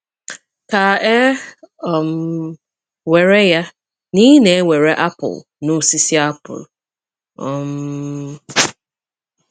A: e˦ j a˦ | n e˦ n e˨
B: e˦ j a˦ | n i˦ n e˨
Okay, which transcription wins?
B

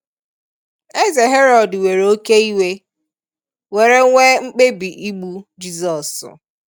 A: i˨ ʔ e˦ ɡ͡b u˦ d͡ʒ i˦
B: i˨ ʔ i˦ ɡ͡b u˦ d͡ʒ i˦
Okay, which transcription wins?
B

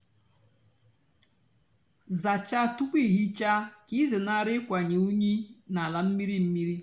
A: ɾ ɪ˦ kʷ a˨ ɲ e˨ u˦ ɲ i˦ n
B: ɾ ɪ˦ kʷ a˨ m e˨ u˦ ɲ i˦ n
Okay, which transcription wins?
A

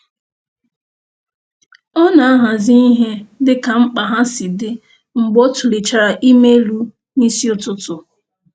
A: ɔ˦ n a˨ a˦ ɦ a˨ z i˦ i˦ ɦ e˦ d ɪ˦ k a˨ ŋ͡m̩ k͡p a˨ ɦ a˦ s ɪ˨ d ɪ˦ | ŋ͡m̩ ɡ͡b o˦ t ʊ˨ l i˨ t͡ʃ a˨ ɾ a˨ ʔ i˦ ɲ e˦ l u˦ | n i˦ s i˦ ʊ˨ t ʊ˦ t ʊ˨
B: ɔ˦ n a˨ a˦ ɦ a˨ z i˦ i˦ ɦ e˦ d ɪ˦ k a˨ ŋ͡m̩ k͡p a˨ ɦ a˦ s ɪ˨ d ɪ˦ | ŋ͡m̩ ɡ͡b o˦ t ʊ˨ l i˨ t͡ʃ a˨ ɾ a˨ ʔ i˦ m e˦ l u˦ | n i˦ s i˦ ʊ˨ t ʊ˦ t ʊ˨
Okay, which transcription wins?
B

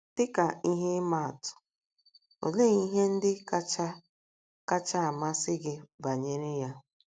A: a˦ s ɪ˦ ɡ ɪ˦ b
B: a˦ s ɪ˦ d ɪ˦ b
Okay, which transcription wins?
A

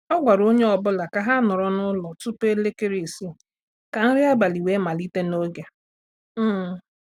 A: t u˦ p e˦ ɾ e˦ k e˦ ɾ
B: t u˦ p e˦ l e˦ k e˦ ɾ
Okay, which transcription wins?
B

